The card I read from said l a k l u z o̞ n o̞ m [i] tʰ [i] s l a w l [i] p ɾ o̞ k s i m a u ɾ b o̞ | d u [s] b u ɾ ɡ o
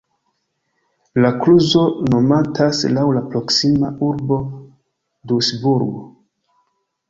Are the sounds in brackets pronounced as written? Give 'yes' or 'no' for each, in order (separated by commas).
no, no, no, yes